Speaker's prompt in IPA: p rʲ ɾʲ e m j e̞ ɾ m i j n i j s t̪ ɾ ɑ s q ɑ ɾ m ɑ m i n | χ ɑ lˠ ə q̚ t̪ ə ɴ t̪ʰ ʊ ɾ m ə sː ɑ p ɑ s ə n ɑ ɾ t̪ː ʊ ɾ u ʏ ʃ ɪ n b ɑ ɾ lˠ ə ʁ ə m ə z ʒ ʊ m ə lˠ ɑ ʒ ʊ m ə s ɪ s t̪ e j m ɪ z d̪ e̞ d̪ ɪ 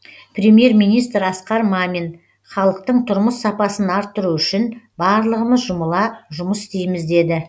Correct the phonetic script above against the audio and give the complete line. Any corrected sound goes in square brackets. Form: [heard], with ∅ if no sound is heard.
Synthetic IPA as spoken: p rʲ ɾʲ e m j e̞ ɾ m i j n i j s t̪ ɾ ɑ s q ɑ ɾ m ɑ m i n | χ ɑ lˠ ə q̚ t̪ ə ɴ t̪ʰ ʊ ɾ m ə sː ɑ p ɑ s ə n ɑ ɾ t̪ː ʊ ɾ u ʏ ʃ ɪ n b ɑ ɾ lˠ ə ʁ ə m ə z ʒ ʊ m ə lˠ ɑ ʒ ʊ m ə s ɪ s t̪ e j m ɪ z d̪ e̞ d̪ ɪ

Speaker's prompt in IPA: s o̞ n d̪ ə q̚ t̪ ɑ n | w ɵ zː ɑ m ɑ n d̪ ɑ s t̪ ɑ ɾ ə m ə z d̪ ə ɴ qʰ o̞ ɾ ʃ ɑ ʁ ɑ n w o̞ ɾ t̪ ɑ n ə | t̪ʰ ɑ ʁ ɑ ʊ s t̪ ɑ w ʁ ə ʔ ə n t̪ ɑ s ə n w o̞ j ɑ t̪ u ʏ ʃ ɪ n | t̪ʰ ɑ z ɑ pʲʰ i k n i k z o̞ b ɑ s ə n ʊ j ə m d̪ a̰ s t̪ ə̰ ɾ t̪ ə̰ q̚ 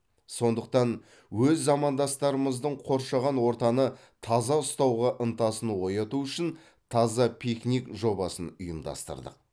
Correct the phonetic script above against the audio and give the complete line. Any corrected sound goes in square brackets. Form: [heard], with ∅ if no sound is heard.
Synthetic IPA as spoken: s o̞ n d̪ ə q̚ t̪ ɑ n | w ɵ zː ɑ m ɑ n d̪ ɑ s t̪ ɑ ɾ ə m ə z d̪ ə ɴ qʰ o̞ ɾ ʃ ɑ ʁ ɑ n w o̞ ɾ t̪ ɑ n ə | t̪ʰ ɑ [z] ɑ ʊ s t̪ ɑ w ʁ [ɑ] ʔ ə n t̪ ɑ s ə n w o̞ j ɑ t̪ u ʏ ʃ ɪ n | t̪ʰ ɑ z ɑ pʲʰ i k n i k [ʒ] o̞ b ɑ s ə n ʊ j ə m d̪ [ɑ̰] s t̪ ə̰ ɾ [d̪] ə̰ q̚

